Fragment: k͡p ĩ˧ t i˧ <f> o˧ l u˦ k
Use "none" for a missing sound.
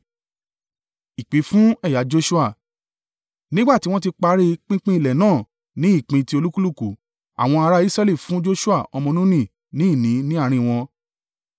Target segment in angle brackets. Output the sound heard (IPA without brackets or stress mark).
none